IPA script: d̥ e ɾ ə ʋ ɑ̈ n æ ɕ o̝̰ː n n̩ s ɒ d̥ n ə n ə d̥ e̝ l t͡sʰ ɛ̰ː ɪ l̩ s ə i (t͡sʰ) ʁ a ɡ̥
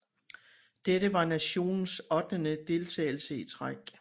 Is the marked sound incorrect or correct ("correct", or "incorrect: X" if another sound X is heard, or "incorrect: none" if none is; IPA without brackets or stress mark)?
correct